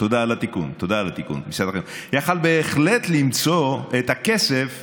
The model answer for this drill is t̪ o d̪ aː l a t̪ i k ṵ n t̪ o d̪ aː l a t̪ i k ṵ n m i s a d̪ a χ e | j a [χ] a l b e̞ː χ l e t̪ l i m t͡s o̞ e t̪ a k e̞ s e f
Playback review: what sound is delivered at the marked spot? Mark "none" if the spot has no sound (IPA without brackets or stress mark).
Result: χ